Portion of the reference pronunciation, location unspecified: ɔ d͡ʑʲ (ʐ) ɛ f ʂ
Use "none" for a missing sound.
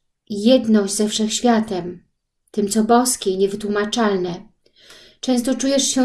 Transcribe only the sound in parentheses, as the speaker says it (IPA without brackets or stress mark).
z